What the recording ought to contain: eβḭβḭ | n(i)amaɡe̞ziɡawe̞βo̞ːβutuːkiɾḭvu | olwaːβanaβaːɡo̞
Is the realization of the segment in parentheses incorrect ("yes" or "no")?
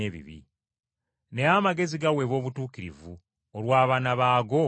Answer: yes